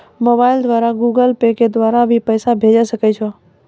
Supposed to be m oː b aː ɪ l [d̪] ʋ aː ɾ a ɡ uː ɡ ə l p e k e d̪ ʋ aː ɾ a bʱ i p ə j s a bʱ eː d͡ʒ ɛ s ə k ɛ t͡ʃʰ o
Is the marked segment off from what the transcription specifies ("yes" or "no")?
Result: no